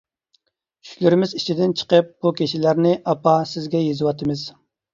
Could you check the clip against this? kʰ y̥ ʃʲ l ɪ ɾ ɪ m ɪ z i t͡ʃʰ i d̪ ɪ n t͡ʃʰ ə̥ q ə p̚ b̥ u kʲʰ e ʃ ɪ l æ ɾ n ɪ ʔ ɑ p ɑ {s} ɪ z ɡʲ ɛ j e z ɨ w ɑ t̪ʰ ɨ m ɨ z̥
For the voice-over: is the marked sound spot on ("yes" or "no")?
yes